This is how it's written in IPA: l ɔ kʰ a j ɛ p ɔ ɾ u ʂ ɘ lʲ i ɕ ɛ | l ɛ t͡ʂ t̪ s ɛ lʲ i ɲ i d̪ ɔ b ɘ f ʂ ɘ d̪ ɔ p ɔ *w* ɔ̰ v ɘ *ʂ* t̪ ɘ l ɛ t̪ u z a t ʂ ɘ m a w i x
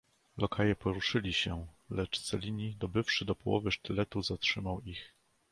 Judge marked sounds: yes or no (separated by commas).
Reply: yes, yes